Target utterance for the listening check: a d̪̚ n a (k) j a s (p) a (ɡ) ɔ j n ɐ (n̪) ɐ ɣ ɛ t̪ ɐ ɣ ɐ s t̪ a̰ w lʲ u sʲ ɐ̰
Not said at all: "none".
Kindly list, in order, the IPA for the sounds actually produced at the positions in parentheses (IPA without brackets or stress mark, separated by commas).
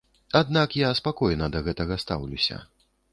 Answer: k, p, k, d̪